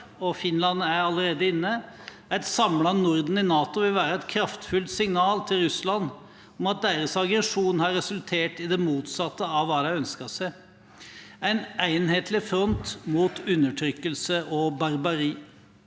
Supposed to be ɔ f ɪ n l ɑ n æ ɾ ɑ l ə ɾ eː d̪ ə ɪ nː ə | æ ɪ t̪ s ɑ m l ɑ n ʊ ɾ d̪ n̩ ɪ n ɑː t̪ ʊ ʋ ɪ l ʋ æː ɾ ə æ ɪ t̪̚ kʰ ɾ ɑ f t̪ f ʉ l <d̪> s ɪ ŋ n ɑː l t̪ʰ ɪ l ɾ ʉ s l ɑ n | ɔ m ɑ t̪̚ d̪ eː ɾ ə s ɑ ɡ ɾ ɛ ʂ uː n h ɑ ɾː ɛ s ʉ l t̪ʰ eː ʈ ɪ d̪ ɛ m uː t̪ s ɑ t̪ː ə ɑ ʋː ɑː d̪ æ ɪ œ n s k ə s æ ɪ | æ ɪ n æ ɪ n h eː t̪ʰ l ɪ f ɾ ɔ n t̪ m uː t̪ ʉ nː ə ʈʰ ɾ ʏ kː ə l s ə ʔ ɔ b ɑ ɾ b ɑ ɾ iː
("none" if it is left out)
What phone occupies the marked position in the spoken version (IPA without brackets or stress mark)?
t̪